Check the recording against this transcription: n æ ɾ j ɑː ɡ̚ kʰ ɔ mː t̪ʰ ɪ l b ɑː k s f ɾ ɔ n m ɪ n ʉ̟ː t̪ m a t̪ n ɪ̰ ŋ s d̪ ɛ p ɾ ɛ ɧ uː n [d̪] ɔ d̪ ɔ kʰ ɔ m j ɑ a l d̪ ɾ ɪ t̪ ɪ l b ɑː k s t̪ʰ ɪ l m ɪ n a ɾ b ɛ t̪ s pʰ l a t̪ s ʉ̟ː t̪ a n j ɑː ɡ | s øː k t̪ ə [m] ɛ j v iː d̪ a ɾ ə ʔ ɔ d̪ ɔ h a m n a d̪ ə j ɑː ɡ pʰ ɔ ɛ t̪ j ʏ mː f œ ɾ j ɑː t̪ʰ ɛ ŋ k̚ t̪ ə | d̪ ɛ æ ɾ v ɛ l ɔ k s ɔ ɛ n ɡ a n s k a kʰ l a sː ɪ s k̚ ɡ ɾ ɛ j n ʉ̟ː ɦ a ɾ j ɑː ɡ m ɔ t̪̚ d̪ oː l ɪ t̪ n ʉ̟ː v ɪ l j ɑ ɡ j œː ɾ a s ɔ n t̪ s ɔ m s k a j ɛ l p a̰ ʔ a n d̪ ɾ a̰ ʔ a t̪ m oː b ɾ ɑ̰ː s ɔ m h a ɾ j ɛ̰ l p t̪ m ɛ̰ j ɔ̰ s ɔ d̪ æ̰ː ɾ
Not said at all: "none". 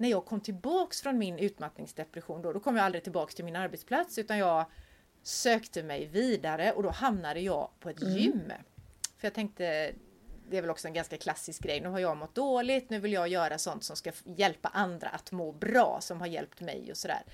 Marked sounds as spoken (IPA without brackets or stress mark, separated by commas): d̪, m